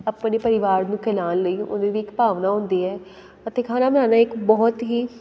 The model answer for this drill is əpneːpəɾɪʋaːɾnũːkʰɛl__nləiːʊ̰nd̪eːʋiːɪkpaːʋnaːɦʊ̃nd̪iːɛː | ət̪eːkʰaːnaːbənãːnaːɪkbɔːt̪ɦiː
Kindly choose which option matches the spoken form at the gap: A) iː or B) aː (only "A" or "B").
B